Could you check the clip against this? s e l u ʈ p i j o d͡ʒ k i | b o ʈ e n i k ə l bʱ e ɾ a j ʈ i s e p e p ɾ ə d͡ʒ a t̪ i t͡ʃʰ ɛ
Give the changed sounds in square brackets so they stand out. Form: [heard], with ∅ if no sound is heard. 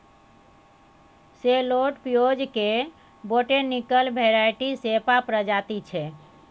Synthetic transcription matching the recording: s e l [o] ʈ p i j o d͡ʒ k [e] | b o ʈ e n i k ə l bʱ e ɾ a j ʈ i s e p [a] p ɾ ə d͡ʒ a t̪ i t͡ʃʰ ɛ